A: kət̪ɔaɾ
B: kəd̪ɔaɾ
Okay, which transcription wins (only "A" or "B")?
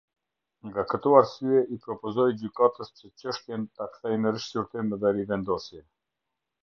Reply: A